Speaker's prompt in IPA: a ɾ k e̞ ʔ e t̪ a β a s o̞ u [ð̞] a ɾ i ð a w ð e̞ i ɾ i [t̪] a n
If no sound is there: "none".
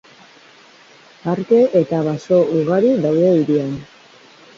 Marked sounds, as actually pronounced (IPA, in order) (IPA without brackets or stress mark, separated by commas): ɣ̞, none